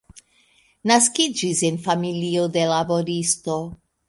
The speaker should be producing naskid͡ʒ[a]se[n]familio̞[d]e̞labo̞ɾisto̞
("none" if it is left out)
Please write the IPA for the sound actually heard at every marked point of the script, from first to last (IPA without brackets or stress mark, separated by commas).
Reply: i, n, d